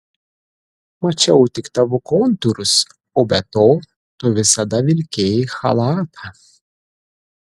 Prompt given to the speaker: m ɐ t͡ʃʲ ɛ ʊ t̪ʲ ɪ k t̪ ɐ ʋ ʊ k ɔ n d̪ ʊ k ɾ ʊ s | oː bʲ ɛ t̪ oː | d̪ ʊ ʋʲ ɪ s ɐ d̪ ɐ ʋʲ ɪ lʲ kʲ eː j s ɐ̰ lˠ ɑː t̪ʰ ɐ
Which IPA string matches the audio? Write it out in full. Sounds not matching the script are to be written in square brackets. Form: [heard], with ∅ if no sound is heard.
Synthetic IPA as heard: m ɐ t͡ʃʲ ɛ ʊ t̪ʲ ɪ k t̪ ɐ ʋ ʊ k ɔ n [t̪] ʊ [∅] ɾ ʊ s | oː bʲ ɛ t̪ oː | [t̪] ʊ ʋʲ ɪ s ɐ d̪ ɐ ʋʲ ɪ lʲ kʲ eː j [x] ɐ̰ lˠ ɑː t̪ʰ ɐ